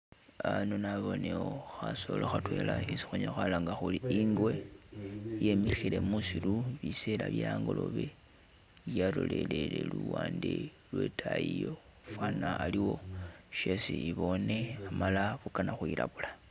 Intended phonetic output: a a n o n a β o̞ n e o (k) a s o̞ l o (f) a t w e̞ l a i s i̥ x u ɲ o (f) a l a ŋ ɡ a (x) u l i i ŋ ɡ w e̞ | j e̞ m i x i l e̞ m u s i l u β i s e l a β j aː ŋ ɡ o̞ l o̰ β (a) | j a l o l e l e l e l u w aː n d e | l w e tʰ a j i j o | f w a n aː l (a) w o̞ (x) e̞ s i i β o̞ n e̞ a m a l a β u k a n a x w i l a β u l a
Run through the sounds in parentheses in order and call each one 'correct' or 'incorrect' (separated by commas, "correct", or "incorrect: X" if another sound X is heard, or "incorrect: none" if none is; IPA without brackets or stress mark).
incorrect: x, incorrect: x, incorrect: x, correct, incorrect: e, incorrect: i, incorrect: ʃ